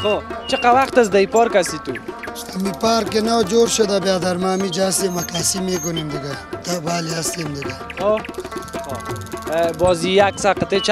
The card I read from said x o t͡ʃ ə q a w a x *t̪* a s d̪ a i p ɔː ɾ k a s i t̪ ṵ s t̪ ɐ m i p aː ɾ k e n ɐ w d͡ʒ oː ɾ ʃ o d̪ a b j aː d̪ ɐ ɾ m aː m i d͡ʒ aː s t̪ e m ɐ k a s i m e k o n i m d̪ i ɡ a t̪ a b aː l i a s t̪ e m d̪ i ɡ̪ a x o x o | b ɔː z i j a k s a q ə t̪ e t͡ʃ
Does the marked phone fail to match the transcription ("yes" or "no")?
no